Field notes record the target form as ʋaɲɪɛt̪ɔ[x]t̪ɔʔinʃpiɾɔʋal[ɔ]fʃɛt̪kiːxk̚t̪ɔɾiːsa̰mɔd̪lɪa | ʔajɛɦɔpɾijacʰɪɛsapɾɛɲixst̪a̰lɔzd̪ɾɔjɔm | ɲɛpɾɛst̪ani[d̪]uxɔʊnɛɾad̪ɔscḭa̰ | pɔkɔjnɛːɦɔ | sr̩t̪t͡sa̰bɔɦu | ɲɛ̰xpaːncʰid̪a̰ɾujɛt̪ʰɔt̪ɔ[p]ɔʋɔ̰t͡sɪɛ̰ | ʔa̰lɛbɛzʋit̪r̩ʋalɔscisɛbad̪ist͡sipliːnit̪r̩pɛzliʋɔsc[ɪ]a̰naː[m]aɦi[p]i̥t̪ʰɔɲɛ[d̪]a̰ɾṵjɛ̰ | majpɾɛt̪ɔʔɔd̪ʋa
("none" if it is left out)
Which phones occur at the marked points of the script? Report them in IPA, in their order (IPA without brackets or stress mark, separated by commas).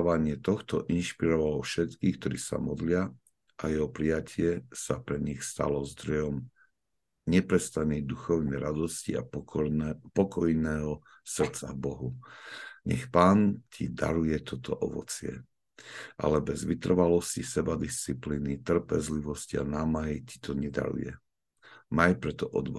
x, ɔ, d̪, ʔ, i, m, c, d̪